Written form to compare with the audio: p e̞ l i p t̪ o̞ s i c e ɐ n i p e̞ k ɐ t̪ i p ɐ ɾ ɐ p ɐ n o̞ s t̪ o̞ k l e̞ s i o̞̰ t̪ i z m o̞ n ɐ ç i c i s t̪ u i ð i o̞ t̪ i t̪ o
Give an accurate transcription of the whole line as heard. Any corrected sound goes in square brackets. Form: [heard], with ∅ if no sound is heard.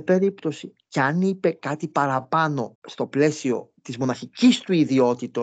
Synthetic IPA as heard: p e̞ [ɾ] i p t̪ o̞ s i c e ɐ n i p e̞ k ɐ t̪ i p ɐ ɾ ɐ p ɐ n o̞ s t̪ o̞ [p] l e̞ s i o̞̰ t̪ i z m o̞ n ɐ ç i c i s t̪ u i ð i o̞ t̪ i t̪ o